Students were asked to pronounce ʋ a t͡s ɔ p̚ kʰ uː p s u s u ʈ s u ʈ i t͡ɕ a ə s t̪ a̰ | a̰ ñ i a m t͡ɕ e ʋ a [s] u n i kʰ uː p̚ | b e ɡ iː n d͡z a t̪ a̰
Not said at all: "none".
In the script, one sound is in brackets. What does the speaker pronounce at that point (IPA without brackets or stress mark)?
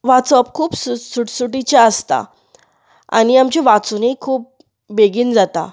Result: t͡s